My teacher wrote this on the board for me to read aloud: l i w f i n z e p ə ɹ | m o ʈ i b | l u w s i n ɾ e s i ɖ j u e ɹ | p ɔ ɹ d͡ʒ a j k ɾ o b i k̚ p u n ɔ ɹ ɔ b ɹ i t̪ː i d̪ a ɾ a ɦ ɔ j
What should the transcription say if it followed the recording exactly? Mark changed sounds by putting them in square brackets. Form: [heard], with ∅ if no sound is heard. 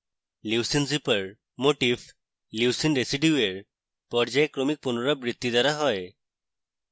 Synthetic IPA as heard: l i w [s] i n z [i] p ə ɹ | m o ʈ i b | l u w s i n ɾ e s i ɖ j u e ɹ | p ɔ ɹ d͡ʒ a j k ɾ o [m] i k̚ p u n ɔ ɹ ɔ b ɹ i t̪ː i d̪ a ɾ a ɦ ɔ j